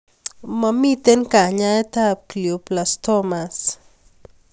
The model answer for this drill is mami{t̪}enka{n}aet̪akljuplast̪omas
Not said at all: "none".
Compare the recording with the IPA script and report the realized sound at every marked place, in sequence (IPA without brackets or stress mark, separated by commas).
t̪, ɲ